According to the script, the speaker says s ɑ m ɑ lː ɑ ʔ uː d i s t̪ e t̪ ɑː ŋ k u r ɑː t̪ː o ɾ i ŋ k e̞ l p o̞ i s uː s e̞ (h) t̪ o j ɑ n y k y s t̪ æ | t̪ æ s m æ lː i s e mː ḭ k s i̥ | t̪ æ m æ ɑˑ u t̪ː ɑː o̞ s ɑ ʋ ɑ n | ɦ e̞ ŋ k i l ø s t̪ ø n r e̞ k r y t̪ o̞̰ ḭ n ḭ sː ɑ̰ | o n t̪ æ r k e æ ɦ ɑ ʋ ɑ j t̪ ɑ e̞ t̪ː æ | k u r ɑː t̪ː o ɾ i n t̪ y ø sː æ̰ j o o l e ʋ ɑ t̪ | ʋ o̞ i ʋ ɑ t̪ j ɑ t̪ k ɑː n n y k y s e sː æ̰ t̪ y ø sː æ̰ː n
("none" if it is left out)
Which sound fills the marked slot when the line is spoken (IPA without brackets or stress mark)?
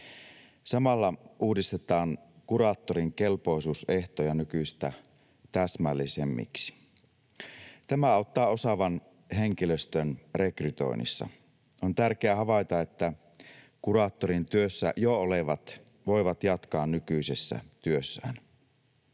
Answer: h